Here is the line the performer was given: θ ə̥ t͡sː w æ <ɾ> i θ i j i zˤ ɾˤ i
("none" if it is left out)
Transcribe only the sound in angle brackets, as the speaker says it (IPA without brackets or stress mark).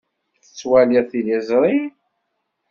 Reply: l